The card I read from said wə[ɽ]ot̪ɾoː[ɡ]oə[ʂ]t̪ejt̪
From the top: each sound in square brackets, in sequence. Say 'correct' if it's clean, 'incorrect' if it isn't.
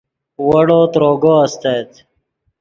correct, correct, incorrect: s

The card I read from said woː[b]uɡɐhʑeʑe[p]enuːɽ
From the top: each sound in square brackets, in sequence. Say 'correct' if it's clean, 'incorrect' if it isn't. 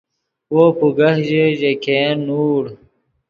incorrect: p, incorrect: k

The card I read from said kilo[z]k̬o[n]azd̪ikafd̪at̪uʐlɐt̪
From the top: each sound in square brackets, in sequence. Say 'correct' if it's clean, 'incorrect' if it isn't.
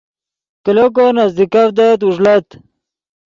incorrect: none, correct

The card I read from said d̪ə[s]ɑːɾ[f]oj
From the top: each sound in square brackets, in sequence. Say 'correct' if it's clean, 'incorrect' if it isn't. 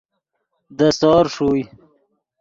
correct, incorrect: ʂ

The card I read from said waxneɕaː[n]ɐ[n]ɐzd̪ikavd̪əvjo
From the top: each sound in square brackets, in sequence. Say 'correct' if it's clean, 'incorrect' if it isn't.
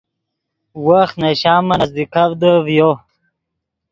incorrect: m, correct

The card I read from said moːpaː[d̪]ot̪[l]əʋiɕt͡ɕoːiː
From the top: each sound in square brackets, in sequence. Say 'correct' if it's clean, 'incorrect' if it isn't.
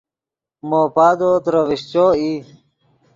correct, incorrect: ɾ

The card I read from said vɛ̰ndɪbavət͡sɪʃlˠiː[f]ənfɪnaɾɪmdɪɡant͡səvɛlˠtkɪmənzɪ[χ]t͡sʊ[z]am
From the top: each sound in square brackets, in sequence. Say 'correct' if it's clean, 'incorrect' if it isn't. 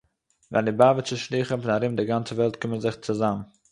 incorrect: χ, correct, correct

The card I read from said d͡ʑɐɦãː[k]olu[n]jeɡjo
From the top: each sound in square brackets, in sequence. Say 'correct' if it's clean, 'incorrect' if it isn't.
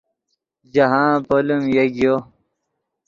incorrect: p, incorrect: m

